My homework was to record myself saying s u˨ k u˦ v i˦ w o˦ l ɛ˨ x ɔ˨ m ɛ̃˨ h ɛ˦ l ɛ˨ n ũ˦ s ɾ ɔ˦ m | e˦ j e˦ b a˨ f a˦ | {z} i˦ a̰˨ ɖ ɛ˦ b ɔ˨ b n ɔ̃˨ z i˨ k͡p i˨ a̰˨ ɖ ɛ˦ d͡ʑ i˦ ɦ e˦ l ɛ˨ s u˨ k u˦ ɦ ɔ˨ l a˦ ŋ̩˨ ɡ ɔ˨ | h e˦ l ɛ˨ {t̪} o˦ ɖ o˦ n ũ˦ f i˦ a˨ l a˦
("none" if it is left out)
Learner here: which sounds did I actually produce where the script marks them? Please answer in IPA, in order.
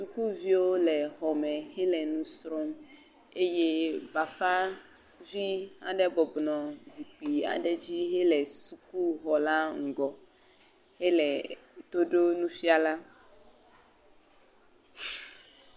v, t̪

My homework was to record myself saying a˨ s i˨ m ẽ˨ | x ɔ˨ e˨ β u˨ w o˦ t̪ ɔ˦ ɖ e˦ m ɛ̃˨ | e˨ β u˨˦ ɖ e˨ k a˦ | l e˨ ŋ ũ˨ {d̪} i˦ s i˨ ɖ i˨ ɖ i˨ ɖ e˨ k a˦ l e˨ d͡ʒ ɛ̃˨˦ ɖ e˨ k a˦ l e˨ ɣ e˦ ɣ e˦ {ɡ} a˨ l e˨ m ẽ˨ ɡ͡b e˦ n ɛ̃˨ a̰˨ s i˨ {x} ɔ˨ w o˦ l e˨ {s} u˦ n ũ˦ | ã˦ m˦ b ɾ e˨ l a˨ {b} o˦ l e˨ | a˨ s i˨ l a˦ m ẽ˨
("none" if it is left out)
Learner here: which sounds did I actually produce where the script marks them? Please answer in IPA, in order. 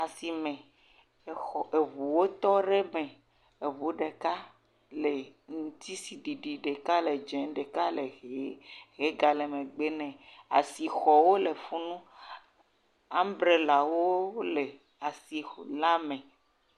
t̪, ɡ, x, f, w

